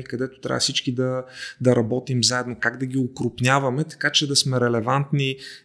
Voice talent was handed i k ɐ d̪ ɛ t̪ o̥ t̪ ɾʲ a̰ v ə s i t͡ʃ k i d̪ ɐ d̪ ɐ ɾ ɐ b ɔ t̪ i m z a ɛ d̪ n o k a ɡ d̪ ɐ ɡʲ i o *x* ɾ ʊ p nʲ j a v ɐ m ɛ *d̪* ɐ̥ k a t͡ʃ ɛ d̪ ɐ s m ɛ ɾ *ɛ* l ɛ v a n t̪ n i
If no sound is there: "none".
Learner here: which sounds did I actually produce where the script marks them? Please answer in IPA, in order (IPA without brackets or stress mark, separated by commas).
k, t̪, ɛ